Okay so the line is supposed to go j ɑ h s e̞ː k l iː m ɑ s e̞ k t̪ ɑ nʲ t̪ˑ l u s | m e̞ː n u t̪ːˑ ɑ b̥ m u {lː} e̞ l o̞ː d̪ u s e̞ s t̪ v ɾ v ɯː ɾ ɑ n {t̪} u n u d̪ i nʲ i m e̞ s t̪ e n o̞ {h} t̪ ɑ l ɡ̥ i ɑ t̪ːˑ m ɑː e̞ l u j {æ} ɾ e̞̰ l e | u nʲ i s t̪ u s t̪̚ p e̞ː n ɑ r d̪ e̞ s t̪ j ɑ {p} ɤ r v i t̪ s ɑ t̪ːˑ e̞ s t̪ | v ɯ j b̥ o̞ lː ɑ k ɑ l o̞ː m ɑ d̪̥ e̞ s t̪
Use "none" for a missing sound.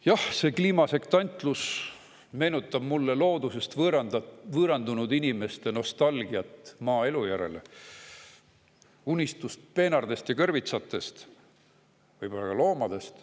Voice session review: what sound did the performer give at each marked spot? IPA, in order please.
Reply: lː, d̪, s, æ, k

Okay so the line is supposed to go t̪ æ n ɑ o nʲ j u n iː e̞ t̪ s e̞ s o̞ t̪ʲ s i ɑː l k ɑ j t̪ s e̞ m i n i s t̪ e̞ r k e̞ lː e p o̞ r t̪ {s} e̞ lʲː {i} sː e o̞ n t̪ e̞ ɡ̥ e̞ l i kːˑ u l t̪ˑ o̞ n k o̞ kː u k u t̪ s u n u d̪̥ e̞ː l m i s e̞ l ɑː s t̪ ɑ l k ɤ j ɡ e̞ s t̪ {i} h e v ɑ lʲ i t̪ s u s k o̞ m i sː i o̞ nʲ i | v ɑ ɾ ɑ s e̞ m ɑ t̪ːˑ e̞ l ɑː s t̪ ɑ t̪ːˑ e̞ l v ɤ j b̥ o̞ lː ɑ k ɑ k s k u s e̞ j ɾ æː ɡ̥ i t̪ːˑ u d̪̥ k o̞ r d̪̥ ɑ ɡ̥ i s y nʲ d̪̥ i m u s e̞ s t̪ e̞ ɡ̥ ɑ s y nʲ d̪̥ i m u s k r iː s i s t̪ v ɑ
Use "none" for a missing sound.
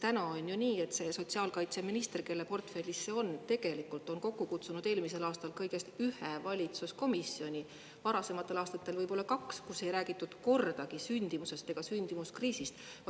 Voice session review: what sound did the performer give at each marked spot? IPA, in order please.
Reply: f, i, y

